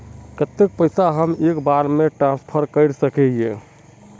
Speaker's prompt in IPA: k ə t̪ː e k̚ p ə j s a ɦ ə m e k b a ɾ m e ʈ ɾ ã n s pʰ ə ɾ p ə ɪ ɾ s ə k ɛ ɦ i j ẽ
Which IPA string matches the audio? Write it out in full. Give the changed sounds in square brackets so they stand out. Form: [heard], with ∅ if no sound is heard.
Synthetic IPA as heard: k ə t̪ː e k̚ p ə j s a ɦ ə m e k b a ɾ m e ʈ ɾ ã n s pʰ ə ɾ [k] ə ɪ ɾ s ə k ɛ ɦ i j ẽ